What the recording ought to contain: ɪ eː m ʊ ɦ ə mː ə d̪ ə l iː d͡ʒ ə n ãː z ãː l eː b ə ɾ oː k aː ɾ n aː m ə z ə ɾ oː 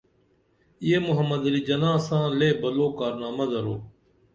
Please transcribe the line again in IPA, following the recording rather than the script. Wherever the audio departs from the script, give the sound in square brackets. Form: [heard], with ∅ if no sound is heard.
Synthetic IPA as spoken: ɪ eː m ʊ ɦ ə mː ə d̪ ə l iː d͡ʒ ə n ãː [s] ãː l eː b ə [l] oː k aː ɾ n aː m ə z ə ɾ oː